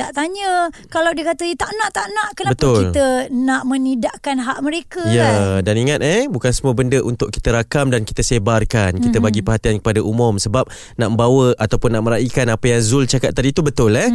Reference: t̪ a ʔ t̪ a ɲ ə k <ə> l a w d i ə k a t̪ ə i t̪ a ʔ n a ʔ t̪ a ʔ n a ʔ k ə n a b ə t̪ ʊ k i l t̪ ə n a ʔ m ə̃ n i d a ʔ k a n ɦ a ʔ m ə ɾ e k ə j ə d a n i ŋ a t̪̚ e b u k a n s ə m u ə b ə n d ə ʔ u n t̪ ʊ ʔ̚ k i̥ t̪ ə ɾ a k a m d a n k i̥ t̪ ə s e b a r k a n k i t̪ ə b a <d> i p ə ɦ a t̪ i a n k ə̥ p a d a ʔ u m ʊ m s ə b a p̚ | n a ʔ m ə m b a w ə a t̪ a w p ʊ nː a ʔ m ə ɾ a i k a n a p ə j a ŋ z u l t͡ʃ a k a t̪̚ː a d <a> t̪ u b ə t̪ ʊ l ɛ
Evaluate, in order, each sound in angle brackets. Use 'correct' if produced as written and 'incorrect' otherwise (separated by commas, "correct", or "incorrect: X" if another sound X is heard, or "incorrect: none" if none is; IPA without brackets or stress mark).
incorrect: a, incorrect: ɡ, incorrect: i